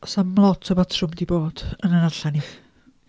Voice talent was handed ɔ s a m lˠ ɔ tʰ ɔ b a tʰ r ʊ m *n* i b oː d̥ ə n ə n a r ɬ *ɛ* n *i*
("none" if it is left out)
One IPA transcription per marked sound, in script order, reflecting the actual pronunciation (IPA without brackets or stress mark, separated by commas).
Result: d, a, i